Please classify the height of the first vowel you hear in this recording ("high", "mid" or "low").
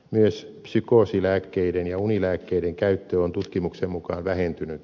high